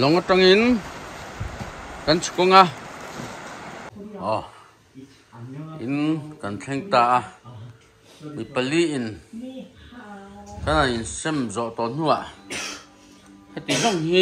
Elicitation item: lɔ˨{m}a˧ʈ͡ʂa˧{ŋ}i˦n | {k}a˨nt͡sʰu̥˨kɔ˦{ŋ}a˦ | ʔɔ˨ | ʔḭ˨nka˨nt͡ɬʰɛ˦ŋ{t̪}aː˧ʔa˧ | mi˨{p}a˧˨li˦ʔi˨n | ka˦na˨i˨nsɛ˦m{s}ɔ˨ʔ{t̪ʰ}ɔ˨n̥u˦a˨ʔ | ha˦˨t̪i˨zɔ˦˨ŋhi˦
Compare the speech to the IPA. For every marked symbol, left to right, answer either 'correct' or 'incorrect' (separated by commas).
incorrect, correct, correct, correct, correct, correct, incorrect, incorrect